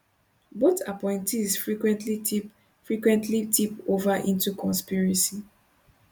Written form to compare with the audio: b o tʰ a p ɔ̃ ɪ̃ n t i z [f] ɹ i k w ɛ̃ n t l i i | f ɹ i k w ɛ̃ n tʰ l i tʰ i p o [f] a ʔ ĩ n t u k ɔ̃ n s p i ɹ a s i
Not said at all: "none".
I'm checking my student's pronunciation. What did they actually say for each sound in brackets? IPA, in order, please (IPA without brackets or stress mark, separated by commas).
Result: f, v